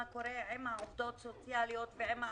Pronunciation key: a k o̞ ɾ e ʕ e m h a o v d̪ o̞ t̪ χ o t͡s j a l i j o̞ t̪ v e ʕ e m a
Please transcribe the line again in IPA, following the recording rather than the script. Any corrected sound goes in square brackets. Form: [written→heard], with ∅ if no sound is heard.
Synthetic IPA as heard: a k o̞ ɾ e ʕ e m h a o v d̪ o̞ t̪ [χ→s] o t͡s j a l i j o̞ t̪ v e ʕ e m a